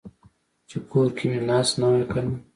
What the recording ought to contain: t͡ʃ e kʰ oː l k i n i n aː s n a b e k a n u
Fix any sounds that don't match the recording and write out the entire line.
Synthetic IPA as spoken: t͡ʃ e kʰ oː ɾ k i m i n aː s n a w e k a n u